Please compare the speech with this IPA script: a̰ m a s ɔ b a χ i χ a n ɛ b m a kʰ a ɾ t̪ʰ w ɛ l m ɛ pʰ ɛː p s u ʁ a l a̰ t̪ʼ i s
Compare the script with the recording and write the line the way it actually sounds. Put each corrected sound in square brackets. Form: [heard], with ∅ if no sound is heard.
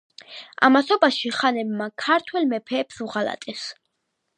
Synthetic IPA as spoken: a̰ m a s ɔ b a [ʃ] i χ a n ɛ b m a kʰ a ɾ t̪ʰ w ɛ l m ɛ pʰ ɛː p s u ʁ a l a̰ t̪ʼ [ɛ] s